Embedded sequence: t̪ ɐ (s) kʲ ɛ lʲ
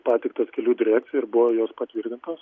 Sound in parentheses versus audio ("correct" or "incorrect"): correct